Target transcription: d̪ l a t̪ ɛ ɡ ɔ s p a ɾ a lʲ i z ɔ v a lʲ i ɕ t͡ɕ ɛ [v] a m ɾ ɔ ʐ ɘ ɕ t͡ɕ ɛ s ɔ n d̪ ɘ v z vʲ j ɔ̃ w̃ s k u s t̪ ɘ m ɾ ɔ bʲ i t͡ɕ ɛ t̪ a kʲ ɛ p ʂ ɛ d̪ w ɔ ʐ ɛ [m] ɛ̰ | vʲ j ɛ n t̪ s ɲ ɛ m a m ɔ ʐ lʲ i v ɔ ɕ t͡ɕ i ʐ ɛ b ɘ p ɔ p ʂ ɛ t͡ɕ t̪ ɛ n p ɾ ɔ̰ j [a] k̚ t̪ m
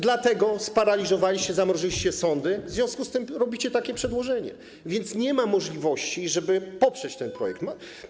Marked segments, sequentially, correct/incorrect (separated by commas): incorrect, incorrect, incorrect